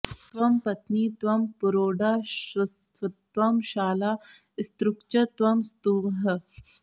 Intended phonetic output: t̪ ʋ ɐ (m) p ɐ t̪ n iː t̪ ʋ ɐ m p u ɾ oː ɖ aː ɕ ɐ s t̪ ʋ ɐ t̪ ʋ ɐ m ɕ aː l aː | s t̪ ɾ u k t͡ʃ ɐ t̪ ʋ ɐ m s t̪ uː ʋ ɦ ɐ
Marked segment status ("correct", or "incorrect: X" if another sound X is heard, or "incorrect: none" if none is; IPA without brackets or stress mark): correct